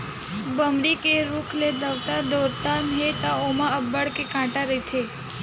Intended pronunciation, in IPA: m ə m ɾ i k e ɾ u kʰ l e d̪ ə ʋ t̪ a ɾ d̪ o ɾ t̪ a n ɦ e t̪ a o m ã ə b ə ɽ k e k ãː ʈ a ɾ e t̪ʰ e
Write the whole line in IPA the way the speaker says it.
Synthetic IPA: b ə m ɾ i k e ɾ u kʰ l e d̪ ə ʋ t̪ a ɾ d̪ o ɾ t̪ a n ɦ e t̪ a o m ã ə b ə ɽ k e k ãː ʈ a ɾ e t̪ʰ e